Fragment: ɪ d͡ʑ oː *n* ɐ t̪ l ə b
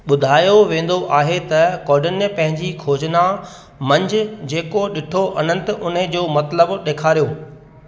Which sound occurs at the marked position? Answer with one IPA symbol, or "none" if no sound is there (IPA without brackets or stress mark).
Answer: m